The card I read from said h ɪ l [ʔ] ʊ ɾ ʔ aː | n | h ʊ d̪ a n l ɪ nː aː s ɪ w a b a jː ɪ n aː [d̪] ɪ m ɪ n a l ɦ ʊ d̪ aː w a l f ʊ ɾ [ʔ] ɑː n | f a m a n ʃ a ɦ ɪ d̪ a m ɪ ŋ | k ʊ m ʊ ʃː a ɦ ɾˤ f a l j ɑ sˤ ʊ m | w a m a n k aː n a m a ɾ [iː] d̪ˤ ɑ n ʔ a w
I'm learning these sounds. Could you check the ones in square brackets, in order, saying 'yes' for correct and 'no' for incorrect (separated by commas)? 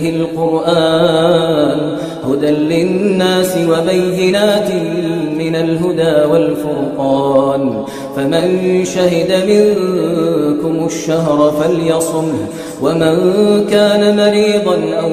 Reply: no, no, no, yes